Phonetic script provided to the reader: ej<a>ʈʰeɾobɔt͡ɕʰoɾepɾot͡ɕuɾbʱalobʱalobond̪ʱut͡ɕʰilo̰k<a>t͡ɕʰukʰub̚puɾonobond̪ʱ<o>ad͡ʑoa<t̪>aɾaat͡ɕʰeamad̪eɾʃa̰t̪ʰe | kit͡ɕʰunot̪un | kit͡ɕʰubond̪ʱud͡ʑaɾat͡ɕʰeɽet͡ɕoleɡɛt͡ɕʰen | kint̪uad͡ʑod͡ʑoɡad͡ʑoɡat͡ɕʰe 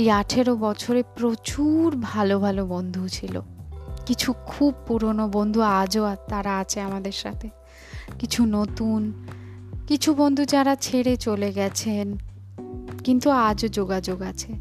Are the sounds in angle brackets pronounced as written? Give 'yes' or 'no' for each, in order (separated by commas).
yes, no, no, yes